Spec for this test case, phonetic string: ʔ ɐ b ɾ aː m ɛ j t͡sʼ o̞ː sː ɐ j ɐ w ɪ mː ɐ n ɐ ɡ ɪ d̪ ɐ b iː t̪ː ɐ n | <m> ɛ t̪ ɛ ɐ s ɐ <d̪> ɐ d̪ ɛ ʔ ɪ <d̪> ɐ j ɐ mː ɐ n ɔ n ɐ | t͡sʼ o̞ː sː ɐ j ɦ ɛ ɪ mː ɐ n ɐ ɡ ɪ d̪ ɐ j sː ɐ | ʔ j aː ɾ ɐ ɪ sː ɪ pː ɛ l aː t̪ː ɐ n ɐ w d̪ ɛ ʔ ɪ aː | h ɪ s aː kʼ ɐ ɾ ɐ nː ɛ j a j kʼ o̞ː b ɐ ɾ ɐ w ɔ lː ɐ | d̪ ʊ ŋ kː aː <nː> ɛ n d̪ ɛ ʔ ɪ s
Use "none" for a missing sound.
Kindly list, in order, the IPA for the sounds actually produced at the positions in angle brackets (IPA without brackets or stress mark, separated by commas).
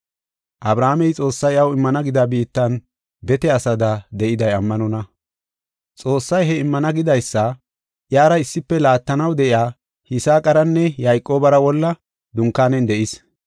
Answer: b, d̪, d̪, n